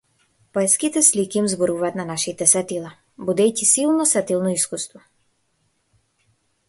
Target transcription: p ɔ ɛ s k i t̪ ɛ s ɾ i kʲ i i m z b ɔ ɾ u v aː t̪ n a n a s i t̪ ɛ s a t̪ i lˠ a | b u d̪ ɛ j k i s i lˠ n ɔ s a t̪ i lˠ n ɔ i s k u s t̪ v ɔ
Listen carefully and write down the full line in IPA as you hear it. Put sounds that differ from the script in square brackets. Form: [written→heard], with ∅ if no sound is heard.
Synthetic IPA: p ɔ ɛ s k i t̪ ɛ s [ɾ→l] i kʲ i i m z b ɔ ɾ u v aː t̪ n a n a [s→ʃ] i t̪ ɛ s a t̪ i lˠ a | b u d̪ ɛ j [k→c] i s i lˠ n ɔ s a t̪ i lˠ n ɔ i s k u s t̪ v ɔ